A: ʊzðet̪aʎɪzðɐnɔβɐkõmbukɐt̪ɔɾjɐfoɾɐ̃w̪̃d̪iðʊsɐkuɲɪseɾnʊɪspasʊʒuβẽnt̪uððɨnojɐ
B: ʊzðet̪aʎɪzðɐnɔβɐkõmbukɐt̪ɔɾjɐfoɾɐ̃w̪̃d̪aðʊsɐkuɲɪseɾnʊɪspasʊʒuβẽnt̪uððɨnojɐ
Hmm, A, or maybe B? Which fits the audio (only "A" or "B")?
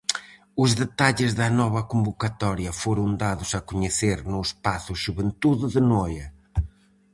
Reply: B